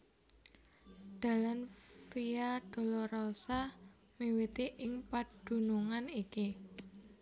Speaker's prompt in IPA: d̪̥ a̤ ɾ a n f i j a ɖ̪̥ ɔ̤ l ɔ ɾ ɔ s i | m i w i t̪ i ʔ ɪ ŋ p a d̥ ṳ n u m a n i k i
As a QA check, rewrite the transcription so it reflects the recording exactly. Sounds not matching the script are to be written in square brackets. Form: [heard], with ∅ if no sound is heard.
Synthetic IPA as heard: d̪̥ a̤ [l] a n f i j a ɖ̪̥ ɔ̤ l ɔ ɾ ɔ s [a] | m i w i t̪ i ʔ ɪ ŋ p a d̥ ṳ n u [ŋ] a n i k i